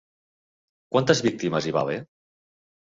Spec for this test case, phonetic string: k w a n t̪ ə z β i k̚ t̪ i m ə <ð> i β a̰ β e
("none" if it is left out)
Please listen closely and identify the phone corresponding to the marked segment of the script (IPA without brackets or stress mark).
z